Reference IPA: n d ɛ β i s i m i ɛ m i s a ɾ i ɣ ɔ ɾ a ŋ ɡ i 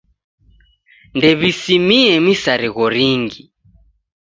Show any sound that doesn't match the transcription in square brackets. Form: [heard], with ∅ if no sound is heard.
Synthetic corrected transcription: n d ɛ β i s i m i ɛ m i s a ɾ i ɣ ɔ ɾ [i] ŋ ɡ i